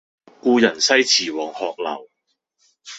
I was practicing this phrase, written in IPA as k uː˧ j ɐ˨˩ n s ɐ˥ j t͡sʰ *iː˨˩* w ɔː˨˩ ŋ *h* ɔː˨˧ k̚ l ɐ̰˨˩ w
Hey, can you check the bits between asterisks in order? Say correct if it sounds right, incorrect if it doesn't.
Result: correct, correct

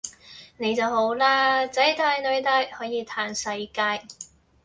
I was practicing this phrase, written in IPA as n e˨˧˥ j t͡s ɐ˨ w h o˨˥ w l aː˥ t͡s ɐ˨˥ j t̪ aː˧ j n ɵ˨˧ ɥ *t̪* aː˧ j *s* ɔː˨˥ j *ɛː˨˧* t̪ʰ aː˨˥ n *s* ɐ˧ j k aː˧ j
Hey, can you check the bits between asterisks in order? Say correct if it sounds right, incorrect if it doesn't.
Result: correct, incorrect, incorrect, correct

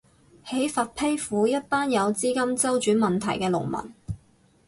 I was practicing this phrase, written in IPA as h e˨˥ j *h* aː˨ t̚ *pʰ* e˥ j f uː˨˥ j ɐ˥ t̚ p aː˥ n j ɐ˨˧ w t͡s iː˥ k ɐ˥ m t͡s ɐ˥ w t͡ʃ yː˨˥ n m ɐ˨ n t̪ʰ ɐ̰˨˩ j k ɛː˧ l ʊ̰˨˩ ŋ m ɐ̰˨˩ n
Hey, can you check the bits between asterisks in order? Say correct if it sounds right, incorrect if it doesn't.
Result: incorrect, correct

